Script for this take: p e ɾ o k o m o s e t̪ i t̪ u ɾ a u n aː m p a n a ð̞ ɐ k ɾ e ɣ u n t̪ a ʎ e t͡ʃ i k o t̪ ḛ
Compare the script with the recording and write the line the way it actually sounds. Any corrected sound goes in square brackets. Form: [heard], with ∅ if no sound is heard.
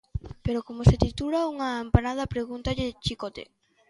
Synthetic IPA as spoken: p e ɾ o k o m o s e t̪ i t̪ u [l] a u [ŋ] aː m p a n a ð̞ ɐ [p] ɾ e ɣ u n t̪ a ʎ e t͡ʃ i k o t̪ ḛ